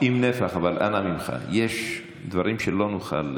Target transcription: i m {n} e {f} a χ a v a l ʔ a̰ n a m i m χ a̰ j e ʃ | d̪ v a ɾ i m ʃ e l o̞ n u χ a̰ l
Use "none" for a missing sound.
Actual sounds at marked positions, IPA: n, f

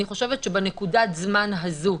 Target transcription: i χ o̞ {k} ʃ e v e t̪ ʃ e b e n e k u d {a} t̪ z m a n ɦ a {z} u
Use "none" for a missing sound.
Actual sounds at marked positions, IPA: none, a, z

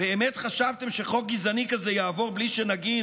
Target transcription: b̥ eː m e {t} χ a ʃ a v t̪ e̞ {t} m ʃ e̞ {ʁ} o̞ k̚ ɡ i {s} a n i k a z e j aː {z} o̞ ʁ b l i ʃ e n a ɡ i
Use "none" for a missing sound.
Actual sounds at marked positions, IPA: t, none, χ, z, v

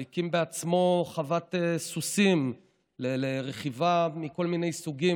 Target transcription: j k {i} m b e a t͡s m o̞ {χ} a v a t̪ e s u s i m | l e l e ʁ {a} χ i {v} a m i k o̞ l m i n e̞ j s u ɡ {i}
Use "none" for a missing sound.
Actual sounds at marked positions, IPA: i, χ, e, v, i

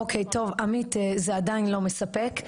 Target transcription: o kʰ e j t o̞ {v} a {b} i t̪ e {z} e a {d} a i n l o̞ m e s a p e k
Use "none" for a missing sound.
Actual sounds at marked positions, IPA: v, m, z, d

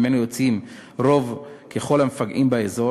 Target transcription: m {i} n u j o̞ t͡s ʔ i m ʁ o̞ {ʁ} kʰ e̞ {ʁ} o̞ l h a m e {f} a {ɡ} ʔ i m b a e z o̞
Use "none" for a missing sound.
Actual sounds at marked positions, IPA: e, v, χ, f, ɡ

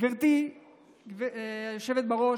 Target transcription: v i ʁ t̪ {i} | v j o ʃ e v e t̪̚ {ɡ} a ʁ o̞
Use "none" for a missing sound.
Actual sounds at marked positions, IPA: i, b

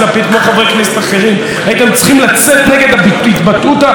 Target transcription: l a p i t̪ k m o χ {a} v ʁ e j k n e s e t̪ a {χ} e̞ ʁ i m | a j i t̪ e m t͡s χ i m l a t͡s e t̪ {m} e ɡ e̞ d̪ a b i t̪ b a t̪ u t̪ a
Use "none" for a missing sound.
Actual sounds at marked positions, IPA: a, χ, n

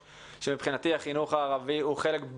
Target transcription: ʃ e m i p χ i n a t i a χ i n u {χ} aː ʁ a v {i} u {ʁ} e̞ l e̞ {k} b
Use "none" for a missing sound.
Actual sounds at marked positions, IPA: χ, i, χ, k

